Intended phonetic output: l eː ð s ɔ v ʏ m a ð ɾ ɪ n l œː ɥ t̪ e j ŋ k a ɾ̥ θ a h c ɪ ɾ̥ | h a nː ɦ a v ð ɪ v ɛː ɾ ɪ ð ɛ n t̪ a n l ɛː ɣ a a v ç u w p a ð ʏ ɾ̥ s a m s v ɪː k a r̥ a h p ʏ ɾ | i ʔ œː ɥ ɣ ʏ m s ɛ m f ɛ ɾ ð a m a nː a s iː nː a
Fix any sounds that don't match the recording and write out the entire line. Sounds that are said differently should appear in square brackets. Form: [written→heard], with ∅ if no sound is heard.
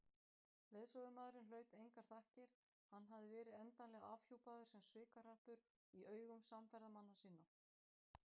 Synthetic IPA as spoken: l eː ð s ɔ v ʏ m a ð ɾ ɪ n l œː ɥ t̪ e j ŋ k a ɾ̥ θ a h c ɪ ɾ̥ | h a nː ɦ a v ð ɪ v ɛː ɾ ɪ ð ɛ n t̪ a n l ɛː ɣ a a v ç u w p a ð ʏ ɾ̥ s [a→ɛ] m s v ɪː k a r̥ a h p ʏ ɾ | i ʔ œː ɥ ɣ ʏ m s [ɛ→a] m f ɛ ɾ ð a m a nː a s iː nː a